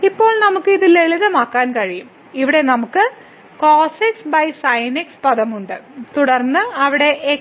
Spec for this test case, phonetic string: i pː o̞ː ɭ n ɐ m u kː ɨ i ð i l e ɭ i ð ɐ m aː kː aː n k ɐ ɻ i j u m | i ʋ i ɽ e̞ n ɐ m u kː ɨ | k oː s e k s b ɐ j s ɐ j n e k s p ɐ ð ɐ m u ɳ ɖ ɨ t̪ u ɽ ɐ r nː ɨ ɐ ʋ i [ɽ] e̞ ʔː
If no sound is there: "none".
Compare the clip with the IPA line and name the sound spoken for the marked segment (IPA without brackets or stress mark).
ɽ